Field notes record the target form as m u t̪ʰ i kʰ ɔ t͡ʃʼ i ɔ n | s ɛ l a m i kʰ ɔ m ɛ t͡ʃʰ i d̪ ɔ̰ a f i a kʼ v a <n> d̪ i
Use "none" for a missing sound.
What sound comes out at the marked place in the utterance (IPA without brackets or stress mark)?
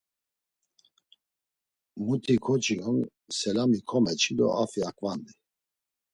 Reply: n